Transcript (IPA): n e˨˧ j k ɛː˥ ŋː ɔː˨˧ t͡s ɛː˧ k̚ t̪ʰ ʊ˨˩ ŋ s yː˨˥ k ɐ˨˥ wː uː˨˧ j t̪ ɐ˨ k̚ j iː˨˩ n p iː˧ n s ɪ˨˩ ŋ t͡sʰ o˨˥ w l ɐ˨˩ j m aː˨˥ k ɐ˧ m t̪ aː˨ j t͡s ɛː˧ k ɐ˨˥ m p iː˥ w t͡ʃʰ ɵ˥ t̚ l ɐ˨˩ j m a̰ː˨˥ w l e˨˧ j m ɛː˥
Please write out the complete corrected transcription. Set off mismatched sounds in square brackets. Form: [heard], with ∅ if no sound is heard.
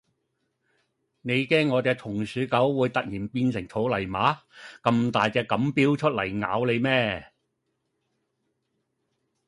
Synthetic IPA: n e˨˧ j k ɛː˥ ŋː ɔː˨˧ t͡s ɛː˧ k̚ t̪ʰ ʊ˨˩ ŋ s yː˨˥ k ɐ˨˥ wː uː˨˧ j t̪ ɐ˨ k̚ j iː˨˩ n p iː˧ n s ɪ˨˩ ŋ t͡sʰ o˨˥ w l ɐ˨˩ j m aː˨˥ k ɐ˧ m t̪ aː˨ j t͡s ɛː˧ k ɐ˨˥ m p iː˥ w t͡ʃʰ ɵ˥ t̚ l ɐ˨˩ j [ŋ] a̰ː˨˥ w l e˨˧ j m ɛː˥